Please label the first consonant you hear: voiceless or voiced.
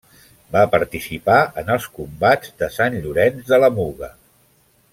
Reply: voiced